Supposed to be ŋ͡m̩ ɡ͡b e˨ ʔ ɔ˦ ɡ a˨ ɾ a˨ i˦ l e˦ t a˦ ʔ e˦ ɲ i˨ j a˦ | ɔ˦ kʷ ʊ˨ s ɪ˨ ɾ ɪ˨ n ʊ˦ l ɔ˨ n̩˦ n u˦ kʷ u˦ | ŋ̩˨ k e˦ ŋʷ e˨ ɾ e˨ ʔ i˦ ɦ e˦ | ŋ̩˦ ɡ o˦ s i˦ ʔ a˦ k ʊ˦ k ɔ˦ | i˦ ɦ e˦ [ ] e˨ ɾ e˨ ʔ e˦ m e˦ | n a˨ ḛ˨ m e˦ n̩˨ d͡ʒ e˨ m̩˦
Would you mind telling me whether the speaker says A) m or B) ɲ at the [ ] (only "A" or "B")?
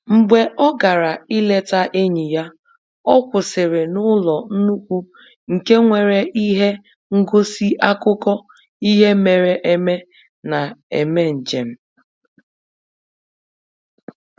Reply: A